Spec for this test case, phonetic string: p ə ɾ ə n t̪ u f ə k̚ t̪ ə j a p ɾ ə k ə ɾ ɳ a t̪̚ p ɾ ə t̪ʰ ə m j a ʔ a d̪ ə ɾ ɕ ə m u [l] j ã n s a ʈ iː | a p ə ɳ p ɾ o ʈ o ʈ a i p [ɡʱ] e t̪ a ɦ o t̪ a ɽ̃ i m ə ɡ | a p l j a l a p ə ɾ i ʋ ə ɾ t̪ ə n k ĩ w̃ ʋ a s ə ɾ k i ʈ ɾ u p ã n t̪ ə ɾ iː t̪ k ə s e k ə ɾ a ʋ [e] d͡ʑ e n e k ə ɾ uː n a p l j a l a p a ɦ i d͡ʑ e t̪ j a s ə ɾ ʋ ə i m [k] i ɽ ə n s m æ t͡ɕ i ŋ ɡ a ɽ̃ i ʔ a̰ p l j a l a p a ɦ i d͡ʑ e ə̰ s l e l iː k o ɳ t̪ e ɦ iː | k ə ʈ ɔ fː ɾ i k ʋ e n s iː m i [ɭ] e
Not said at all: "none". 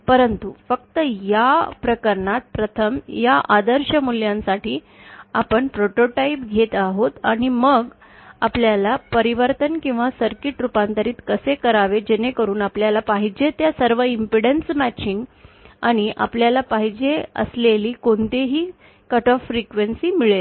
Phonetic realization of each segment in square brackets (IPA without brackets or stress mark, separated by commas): l, ɡʱ, e, p, ɭ